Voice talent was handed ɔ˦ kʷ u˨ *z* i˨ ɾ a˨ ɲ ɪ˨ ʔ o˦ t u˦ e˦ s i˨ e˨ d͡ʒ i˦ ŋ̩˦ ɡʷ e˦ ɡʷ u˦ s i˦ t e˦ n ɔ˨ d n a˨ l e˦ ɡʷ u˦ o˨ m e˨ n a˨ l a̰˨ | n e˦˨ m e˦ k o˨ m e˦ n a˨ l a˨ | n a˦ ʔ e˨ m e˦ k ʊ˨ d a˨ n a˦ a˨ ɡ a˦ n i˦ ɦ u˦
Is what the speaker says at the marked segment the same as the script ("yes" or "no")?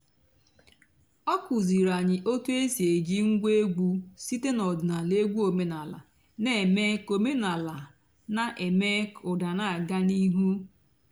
yes